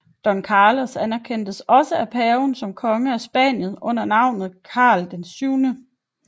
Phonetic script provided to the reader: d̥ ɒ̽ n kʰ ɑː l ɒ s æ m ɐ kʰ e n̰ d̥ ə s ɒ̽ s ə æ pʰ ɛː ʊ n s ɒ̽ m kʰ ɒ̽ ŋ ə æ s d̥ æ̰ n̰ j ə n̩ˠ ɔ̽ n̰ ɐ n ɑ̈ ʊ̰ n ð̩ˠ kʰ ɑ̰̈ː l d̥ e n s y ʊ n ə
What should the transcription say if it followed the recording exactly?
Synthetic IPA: d̥ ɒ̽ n kʰ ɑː l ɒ s æ n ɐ kʰ e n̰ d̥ ə s ɒ̽ s ə æ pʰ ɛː ʊ n s ɒ̽ m kʰ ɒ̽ ŋ ə æ s b̥ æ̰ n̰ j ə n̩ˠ ɔ̽ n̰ ɐ n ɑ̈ ʊ̰ n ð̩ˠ kʰ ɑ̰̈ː l d̥ e n s y ʊ n ə

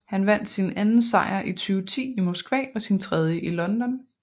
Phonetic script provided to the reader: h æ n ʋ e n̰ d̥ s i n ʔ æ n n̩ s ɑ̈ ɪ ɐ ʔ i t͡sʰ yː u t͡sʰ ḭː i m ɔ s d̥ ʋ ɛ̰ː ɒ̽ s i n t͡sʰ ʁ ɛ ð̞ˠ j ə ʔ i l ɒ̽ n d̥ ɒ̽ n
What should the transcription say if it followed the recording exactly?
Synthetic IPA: h æ n ʋ æ n̰ d̥ s i n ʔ æ n n̩ s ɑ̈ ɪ ɐ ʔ i t͡sʰ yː ʊ t͡sʰ ḭː i m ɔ s ɡ̥ ʋ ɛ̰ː ɒ̽ s i n t͡sʰ ʁ ɛ ð̞ˠ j ə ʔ i l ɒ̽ n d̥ ɒ̽ n

